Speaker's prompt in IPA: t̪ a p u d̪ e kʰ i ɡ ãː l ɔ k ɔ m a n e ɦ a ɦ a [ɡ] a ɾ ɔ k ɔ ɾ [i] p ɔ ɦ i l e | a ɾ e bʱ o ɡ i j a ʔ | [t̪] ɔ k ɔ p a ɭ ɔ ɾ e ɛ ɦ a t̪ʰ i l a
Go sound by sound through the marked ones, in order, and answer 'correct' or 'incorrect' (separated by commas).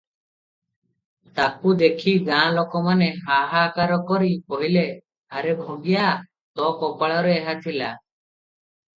incorrect, correct, correct